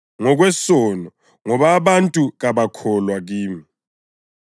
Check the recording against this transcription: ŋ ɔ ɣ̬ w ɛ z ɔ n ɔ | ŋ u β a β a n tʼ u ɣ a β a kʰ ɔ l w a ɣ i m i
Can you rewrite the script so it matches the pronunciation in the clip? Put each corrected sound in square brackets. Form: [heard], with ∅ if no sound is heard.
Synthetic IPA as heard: ŋ ɔ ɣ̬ w ɛ [s] ɔ n ɔ | ŋ [ɔ] β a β a n tʼ u ɣ a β a kʰ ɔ l w a ɣ [iː] m i